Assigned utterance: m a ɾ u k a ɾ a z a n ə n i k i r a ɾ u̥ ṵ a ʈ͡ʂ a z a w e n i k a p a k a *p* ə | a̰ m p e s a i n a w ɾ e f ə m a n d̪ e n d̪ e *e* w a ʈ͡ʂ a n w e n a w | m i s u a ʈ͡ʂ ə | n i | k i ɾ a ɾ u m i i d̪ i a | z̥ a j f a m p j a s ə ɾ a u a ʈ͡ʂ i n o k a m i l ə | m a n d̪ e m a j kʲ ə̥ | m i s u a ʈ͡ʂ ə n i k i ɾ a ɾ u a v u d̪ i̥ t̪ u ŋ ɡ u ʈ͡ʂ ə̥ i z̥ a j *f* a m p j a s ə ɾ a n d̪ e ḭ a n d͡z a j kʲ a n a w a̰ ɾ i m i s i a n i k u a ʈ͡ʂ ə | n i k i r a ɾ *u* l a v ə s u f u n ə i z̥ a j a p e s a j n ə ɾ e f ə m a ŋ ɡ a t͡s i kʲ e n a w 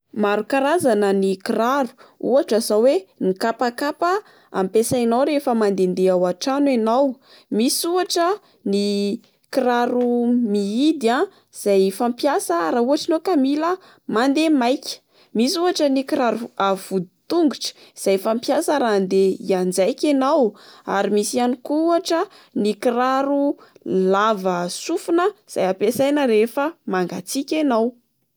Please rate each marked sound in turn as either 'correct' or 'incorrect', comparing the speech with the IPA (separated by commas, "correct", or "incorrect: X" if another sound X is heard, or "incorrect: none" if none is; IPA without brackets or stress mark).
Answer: correct, incorrect: a, correct, correct